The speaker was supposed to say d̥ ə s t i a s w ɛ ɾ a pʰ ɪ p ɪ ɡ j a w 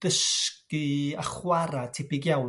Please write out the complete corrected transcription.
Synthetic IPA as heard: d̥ ə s k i a χ w a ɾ a tʰ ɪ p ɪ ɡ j a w

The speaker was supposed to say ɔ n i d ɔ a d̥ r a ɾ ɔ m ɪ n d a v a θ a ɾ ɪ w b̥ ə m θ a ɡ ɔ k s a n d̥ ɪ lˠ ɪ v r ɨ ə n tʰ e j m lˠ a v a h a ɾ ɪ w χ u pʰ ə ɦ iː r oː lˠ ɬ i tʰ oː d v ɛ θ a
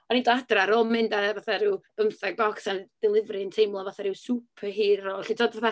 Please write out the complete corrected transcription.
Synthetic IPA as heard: ɔ n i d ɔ a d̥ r a ɾ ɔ m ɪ n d a v a θ a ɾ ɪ w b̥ ə m θ a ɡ ɔ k s a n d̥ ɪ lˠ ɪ v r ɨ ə n tʰ e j m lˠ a v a θ a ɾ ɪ w s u pʰ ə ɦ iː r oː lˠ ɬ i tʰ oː d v a θ a

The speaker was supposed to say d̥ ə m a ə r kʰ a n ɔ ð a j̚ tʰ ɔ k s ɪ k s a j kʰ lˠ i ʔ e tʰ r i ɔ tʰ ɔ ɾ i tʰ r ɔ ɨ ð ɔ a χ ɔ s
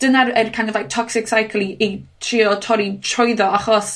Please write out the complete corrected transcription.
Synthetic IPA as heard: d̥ ə n a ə r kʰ a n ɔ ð a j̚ tʰ ɔ k s ɪ k s a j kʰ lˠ i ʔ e tʰ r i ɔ tʰ ɔ ɾ i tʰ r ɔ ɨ ð ɔ a χ ɔ s

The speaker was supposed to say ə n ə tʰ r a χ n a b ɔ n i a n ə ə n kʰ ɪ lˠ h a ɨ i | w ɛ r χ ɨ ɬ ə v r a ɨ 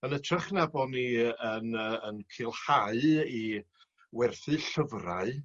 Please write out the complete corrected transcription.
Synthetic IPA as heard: ə n ə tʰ r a χ n a b ɔ n i ə n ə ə n kʰ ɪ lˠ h a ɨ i | w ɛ r θ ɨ ɬ ə v r a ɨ

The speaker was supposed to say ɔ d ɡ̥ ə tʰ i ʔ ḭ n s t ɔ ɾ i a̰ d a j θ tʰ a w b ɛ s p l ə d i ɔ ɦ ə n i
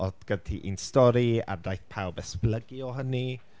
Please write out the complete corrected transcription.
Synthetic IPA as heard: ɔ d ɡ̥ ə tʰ i ʔ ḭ n s t ɔ ɾ i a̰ d a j θ pʰ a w b ɛ s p l ə ɡ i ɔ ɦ ə n i

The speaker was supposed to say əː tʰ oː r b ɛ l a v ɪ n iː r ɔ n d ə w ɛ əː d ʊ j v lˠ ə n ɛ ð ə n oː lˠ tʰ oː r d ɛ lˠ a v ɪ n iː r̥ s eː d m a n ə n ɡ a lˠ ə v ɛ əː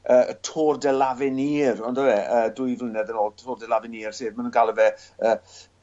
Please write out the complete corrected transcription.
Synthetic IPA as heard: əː tʰ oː r d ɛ l a v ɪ n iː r ɔ n d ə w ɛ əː d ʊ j v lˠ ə n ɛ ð ə n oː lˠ tʰ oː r d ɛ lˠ a v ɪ n iː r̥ s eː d m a n ə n ɡ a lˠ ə v ɛ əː

